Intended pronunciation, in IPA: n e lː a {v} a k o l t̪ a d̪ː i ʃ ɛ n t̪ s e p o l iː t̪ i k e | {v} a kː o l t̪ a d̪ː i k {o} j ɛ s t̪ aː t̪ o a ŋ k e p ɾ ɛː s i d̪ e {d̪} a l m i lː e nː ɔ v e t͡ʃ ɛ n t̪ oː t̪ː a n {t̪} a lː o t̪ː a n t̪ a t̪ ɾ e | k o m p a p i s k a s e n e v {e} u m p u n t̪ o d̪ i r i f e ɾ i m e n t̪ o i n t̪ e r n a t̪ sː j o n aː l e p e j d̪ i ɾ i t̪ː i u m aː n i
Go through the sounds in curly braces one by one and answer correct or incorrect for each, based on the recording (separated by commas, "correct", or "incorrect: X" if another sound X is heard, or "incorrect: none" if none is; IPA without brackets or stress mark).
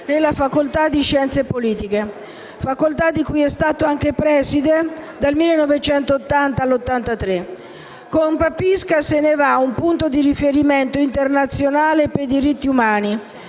incorrect: f, incorrect: f, incorrect: u, correct, correct, incorrect: a